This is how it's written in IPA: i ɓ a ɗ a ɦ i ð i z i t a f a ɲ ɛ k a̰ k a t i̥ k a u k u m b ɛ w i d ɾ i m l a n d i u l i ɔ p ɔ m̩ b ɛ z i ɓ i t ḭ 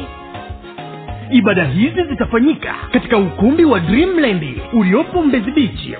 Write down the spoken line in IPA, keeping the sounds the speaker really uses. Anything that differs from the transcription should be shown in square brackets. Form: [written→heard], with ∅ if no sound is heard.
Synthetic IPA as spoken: i ɓ a ɗ a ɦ i [ð→z] i z i t a f a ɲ [ɛ→i] k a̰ k a t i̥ k a u k u m b [ɛ→i] w [i→a] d ɾ i m l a n d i u l i ɔ p ɔ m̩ b ɛ z i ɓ i [t→t͡ʃ] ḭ